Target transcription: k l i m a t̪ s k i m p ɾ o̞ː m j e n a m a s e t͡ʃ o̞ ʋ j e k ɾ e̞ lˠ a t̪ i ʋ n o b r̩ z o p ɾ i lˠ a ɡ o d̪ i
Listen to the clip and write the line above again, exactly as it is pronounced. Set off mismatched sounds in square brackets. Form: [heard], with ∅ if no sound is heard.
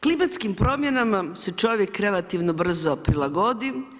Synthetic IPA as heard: k l i m a t̪ s k i m p ɾ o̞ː m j e n a m a s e t͡ʃ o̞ ʋ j e k ɾ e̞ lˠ a t̪ i ʋ n o b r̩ z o p ɾ i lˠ a ɡ o d̪ i